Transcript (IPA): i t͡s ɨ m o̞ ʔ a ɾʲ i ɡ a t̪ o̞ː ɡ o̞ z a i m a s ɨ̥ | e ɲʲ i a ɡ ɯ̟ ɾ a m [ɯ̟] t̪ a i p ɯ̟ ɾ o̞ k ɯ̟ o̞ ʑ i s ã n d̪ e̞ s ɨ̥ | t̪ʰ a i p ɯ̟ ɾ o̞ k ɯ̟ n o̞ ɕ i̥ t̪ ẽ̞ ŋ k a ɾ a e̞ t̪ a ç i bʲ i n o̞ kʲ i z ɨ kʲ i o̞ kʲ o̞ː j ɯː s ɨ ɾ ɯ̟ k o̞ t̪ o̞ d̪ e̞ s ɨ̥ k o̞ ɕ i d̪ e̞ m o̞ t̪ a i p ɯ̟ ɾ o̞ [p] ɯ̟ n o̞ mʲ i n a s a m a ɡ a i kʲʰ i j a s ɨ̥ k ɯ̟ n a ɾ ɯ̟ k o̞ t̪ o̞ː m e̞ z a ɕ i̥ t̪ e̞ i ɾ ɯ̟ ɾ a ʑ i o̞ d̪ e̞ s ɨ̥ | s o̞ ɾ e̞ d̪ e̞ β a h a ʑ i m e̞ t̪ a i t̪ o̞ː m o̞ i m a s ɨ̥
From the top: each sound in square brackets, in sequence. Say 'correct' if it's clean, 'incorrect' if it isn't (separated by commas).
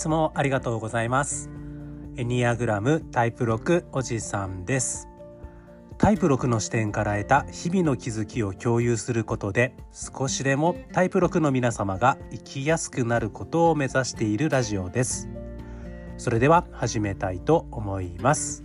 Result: correct, incorrect